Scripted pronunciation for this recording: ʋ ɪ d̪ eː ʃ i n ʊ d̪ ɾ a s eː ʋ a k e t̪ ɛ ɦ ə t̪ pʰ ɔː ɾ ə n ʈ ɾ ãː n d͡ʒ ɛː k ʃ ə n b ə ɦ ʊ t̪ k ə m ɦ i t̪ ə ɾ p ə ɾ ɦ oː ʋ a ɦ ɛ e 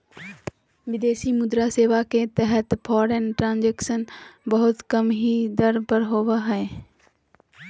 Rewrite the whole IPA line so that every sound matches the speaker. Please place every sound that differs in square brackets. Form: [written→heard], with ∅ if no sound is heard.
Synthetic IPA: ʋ ɪ d̪ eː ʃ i [n→m] ʊ d̪ ɾ a s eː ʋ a k e t̪ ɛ ɦ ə t̪ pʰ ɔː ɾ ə n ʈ ɾ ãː n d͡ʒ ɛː k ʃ ə n b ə ɦ ʊ t̪ k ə m ɦ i [t̪→d̪] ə ɾ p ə ɾ ɦ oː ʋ a ɦ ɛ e